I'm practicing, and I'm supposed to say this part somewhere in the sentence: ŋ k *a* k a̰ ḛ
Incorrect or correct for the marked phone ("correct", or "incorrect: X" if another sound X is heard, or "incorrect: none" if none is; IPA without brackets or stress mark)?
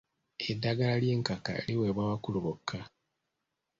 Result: correct